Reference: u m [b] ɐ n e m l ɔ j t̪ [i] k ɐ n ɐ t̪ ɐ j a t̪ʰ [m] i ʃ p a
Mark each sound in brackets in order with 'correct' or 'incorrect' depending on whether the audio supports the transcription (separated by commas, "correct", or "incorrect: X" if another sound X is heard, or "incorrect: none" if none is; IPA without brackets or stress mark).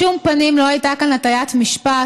incorrect: p, incorrect: a, correct